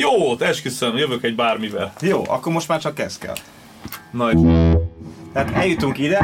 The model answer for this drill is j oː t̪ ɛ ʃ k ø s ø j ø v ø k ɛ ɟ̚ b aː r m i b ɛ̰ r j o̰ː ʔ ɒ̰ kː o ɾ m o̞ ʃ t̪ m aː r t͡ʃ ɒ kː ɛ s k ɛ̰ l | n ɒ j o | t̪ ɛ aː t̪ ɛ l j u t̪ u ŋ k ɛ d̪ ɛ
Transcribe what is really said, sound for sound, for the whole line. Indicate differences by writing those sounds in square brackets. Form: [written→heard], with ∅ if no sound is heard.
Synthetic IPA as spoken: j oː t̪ ɛ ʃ k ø s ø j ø v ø k ɛ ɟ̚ b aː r m i [b→v] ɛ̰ [r→l] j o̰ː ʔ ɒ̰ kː o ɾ m o̞ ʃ t̪ m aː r t͡ʃ ɒ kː ɛ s k ɛ̰ l | n ɒ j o | t̪ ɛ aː t̪ ɛ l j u t̪ u ŋ k [ɛ→i] d̪ ɛ